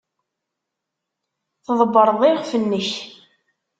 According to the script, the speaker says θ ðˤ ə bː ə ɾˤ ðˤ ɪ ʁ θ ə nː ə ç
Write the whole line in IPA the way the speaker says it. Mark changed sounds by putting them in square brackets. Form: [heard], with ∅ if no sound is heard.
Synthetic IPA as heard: θ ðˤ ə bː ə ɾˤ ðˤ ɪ ʁ [f] ə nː ə ç